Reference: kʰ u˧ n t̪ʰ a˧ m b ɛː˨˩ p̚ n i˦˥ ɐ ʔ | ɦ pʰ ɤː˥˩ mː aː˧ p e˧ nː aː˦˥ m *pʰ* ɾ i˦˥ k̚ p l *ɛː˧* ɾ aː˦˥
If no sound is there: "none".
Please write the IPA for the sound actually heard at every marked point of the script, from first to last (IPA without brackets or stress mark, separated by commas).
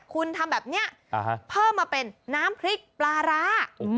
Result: pʰ, aː˧